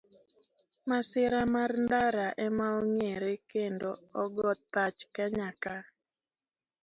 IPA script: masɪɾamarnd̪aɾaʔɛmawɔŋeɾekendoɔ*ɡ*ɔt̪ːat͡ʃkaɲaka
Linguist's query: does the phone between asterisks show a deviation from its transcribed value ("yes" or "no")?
no